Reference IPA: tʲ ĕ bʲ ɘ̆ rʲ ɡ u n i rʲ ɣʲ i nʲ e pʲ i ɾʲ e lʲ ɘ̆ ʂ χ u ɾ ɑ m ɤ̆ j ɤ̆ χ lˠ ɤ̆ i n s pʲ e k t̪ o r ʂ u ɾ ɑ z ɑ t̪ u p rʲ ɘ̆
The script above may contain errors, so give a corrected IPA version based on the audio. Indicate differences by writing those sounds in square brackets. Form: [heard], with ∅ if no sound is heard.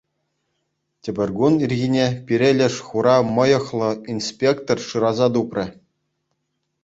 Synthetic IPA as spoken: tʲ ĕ bʲ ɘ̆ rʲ ɡ u n i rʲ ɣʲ i nʲ e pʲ i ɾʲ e lʲ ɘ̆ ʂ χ u ɾ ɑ m ɤ̆ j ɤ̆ χ lˠ ɤ̆ i n s pʲ e k t̪ o r ʂ [ɯ] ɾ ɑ z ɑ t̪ u p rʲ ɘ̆